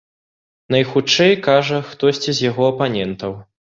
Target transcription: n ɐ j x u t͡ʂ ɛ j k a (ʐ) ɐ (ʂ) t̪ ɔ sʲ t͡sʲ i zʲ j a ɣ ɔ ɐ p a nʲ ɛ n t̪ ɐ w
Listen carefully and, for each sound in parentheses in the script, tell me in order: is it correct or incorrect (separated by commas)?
correct, incorrect